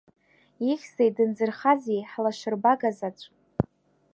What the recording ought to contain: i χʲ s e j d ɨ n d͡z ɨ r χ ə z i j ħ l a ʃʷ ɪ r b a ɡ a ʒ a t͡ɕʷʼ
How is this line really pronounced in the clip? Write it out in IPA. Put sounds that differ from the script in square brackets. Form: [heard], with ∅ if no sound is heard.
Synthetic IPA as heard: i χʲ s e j d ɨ n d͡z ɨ r χ [a] z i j ħ l a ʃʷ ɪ r b a ɡ a [z] a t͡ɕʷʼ